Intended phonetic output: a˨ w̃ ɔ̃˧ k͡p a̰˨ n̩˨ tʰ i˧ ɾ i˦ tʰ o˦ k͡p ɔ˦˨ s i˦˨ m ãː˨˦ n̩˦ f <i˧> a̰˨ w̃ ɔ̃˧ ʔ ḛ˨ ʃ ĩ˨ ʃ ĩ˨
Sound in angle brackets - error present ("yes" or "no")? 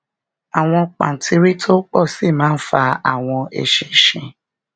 yes